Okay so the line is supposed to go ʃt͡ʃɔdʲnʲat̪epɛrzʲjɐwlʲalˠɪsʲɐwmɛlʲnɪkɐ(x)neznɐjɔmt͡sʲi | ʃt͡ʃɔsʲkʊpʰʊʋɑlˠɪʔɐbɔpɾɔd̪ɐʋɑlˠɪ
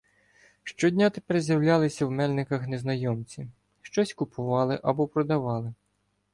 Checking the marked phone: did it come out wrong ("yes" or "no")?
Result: no